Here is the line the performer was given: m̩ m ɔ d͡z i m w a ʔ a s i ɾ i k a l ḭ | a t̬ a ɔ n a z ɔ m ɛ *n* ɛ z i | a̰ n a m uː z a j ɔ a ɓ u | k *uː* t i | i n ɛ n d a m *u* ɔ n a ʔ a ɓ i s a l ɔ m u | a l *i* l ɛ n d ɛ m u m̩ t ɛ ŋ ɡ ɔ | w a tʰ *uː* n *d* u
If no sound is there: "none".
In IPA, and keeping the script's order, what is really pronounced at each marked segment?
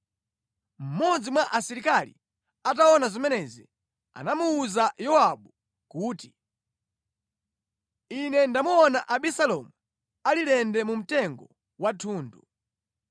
n, uː, u, i, uː, d

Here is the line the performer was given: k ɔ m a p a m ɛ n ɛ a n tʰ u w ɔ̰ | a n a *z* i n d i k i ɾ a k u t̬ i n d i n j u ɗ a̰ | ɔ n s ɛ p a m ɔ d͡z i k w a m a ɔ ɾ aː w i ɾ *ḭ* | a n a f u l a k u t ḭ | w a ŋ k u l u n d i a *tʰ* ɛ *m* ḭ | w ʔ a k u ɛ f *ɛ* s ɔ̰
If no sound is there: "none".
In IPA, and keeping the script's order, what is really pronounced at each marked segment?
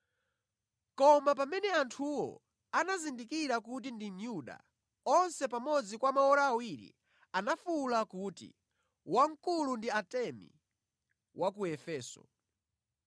z, ḭ, t, m, ɛː

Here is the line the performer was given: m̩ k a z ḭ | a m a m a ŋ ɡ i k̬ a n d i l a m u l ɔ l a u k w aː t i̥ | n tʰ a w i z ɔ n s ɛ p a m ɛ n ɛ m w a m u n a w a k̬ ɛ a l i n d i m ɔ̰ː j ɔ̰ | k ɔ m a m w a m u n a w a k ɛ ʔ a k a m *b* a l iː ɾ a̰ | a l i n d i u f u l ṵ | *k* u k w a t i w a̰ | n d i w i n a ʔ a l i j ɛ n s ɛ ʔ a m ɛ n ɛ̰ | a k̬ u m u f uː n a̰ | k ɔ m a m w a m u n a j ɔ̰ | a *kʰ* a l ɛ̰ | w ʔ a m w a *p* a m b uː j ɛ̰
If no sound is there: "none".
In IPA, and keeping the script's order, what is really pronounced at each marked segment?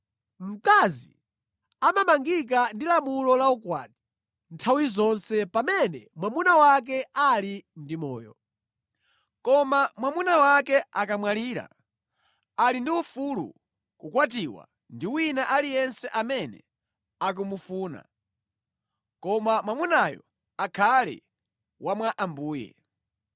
w, k, kʰ, ʔ

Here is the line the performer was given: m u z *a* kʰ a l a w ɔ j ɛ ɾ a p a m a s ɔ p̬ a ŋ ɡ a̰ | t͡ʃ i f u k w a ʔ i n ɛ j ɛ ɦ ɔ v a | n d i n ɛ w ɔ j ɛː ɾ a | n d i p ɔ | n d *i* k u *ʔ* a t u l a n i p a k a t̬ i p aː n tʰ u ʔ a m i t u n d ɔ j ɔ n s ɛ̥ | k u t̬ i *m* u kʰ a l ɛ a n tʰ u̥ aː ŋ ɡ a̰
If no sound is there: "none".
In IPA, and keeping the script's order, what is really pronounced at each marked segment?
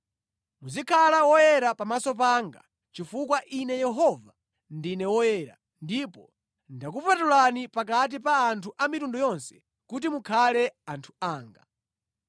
i, a, p, m

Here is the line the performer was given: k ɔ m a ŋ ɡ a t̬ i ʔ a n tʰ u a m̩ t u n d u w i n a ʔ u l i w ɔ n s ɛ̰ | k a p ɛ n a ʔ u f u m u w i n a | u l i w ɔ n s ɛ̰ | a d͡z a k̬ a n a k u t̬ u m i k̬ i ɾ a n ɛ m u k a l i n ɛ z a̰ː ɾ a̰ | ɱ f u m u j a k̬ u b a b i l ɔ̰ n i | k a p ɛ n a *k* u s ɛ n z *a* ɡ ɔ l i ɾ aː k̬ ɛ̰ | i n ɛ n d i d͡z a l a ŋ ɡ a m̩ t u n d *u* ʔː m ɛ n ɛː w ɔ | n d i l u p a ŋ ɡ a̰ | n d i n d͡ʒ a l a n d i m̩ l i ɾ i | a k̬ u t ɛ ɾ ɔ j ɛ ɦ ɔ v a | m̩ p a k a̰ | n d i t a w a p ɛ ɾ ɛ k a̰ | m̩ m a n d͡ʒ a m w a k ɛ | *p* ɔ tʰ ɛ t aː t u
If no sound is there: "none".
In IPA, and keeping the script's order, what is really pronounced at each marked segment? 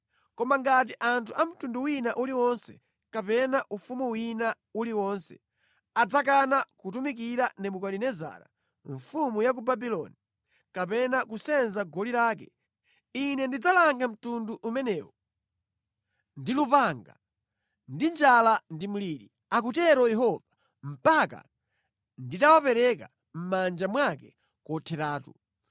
k, a, u, k

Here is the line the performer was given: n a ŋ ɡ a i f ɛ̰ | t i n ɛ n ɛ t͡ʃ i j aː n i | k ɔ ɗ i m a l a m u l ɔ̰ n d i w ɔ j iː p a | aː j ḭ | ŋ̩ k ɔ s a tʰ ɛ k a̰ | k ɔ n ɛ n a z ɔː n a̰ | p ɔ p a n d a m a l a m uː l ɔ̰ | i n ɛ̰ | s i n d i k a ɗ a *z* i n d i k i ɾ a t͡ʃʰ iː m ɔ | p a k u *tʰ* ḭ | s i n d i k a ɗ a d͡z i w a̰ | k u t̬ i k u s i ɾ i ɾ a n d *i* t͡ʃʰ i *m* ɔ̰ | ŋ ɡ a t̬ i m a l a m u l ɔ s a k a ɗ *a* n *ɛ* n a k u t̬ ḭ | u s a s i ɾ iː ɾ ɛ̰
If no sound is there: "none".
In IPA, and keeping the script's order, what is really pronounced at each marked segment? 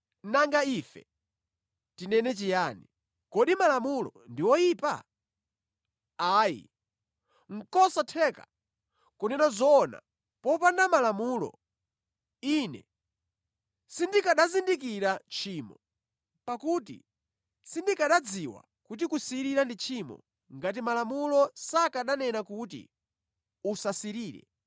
z, t, i, m, a, ɛ

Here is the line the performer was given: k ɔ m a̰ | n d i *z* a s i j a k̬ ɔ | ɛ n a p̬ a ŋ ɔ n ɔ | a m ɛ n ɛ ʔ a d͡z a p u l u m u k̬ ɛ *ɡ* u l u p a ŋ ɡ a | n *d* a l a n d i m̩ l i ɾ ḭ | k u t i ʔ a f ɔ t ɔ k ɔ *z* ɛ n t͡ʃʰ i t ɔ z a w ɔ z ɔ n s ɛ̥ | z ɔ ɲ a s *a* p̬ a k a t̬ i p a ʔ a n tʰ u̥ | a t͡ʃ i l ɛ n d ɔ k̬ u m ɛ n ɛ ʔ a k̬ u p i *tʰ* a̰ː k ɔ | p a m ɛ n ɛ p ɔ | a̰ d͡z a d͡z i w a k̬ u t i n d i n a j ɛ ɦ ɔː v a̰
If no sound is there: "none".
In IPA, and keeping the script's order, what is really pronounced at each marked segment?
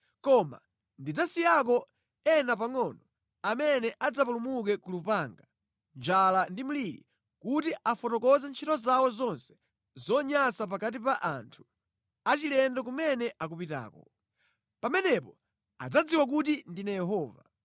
d͡z, k, d͡ʒ, z, a, t

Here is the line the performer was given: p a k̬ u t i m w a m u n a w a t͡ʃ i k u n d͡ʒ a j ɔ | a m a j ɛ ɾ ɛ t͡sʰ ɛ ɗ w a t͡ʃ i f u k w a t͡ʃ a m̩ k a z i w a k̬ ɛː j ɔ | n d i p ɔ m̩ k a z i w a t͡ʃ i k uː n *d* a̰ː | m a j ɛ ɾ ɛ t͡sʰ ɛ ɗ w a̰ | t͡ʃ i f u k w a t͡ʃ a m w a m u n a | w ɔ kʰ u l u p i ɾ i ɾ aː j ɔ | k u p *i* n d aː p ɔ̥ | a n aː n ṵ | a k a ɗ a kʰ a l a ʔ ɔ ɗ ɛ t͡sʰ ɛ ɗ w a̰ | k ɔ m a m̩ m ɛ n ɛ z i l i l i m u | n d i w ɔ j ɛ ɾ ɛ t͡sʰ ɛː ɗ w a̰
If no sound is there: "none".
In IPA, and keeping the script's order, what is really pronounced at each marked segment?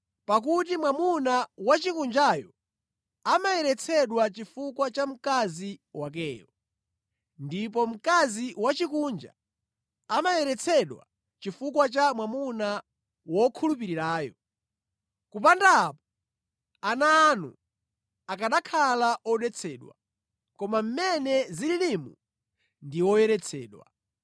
d͡ʒ, a

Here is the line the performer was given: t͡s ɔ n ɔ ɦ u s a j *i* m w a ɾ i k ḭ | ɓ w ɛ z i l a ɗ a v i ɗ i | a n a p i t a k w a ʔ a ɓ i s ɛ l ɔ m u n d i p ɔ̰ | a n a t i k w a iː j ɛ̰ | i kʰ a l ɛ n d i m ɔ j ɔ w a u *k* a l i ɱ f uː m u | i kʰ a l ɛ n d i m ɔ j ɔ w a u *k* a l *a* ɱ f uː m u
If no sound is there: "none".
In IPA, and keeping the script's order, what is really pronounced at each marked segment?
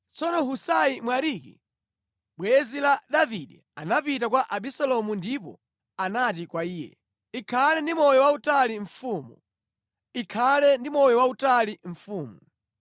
i, t, t, i

